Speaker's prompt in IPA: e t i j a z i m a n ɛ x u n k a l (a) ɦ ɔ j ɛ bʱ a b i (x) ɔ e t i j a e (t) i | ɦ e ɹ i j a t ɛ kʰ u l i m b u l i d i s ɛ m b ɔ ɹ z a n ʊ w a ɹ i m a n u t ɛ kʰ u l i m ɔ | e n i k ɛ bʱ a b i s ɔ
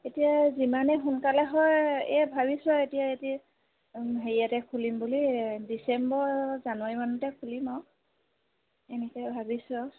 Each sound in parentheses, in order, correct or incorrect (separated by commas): incorrect, incorrect, correct